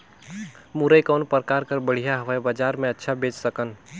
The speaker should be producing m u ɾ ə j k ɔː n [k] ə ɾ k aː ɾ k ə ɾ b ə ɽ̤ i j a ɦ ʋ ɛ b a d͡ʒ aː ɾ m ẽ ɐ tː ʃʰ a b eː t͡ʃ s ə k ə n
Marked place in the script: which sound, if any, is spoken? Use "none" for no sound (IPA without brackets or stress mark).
p